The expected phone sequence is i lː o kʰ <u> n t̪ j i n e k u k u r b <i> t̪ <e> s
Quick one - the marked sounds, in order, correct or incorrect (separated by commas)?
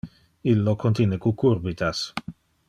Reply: incorrect, correct, incorrect